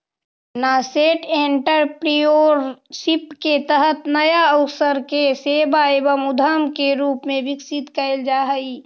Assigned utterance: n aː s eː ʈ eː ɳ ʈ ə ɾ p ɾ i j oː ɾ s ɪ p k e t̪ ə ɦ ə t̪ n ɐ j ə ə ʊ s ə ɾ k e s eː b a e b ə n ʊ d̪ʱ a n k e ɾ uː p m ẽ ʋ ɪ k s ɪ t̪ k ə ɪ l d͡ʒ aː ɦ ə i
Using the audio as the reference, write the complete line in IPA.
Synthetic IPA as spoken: n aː s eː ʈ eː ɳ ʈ ə ɾ p ɾ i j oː ɾ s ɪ p k e t̪ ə ɦ ə t̪ n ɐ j a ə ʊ s ə ɾ k e s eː b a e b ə m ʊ d̪ʱ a m k e ɾ uː p m ẽ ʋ ɪ k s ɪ t̪ k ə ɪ l d͡ʒ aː ɦ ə i